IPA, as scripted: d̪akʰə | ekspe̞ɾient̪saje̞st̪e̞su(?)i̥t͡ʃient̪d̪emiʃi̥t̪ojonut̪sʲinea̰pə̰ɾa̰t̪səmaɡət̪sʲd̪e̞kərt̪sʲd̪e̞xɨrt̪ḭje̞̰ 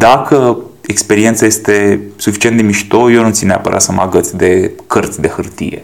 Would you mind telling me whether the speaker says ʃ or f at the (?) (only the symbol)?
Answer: f